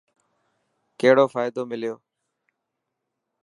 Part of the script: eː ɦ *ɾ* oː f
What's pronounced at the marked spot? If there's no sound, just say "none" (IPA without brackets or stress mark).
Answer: ɽ